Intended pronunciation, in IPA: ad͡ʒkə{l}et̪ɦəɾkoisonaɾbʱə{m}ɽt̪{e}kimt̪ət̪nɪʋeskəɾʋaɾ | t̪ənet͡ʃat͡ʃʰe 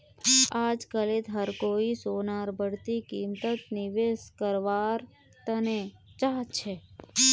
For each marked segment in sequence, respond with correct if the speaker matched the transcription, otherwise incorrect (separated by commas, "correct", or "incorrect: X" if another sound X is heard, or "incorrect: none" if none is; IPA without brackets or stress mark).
correct, incorrect: none, incorrect: i